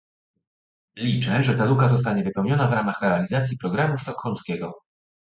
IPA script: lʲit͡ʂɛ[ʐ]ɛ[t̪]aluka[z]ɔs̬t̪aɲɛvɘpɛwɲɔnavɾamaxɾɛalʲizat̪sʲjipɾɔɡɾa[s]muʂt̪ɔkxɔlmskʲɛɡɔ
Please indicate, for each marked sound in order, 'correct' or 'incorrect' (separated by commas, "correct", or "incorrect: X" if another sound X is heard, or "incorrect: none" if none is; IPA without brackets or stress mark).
correct, correct, correct, incorrect: none